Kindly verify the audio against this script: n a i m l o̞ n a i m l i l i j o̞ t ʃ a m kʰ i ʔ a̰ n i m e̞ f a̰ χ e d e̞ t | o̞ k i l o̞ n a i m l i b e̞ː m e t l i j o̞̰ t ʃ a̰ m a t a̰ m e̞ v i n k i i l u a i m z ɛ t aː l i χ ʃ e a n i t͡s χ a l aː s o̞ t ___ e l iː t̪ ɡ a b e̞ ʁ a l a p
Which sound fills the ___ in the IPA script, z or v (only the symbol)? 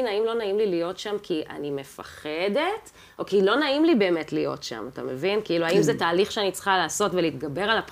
v